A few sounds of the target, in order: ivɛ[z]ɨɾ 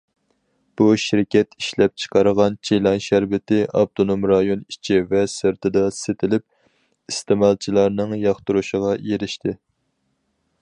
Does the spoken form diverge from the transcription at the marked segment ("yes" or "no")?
yes